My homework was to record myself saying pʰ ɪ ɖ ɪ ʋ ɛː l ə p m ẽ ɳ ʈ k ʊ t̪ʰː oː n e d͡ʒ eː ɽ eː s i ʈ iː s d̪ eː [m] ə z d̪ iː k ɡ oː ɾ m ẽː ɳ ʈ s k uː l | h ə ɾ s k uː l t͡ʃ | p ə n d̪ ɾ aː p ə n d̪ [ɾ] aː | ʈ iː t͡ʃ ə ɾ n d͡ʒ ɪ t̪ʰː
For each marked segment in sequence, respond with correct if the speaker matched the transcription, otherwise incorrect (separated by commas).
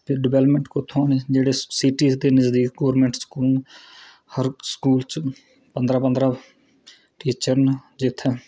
incorrect, correct